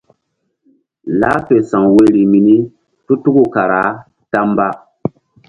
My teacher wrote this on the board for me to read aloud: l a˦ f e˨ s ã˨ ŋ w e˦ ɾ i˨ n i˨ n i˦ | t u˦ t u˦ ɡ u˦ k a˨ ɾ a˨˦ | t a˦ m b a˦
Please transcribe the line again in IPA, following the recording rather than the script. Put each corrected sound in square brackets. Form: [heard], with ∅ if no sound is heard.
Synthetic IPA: l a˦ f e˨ s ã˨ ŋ w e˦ ɾ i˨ [m] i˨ n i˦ | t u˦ t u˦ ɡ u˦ k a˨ ɾ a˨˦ | t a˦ m b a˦